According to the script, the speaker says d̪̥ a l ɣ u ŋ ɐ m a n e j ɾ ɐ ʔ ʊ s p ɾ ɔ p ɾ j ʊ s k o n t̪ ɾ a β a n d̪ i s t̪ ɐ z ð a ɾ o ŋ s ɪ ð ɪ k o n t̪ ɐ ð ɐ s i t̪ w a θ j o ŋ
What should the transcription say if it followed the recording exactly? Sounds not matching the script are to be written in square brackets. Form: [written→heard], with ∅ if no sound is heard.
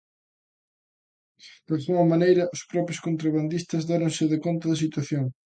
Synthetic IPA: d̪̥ a l ɣ u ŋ ɐ m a n e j ɾ ɐ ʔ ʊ s p ɾ ɔ p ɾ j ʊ s k o n t̪ ɾ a β a n d̪ i s t̪ ɐ z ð a ɾ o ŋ s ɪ ð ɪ k o n t̪ ɐ ð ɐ s i t̪ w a θ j o ŋ

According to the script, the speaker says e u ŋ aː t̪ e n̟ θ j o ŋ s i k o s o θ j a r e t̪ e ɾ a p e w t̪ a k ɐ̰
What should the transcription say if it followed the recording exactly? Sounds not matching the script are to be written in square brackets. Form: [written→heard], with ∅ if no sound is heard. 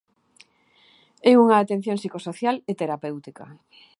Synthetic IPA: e u ŋ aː t̪ e n̟ θ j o ŋ s i k o s o θ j a [r→l] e t̪ e ɾ a p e w t̪ [a→i] k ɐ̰

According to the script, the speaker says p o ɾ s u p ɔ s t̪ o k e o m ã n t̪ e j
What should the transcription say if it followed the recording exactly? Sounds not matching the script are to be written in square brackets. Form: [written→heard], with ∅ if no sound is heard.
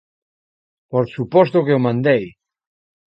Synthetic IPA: p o ɾ s u p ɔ s t̪ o k e o m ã n [t̪→d̪] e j

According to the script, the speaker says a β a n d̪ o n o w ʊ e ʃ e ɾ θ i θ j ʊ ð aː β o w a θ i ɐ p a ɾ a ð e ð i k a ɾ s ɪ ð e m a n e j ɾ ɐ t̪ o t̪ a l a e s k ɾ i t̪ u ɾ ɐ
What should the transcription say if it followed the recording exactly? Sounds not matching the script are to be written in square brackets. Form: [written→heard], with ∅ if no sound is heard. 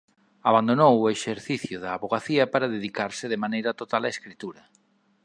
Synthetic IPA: a β a n d̪ o n o w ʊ e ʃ e ɾ θ i θ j ʊ ð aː β o [w→ɣ] a θ i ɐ p a ɾ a ð e ð i k a ɾ s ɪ ð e m a n e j ɾ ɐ t̪ o t̪ a l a e s k ɾ i t̪ u ɾ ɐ

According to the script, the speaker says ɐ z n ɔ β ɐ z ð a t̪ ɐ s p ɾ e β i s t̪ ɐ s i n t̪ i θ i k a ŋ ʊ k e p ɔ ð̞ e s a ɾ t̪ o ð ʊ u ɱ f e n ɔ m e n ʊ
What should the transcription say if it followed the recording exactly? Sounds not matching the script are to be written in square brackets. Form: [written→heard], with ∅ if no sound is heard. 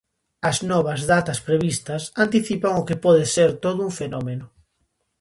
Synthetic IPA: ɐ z n ɔ β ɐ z ð a t̪ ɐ s p ɾ e β i s t̪ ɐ s [i→a] n t̪ i θ i [k→p] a ŋ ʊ k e p ɔ ð̞ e s [a→e] ɾ t̪ o ð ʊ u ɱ f e n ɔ m e n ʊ

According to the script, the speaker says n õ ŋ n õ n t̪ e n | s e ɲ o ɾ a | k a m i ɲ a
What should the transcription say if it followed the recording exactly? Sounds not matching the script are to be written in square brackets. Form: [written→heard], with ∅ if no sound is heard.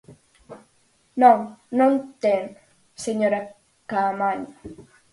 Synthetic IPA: n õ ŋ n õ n t̪ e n | s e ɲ o ɾ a | k a m [i→a] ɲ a

